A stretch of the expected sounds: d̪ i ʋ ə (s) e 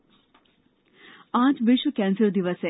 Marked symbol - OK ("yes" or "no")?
yes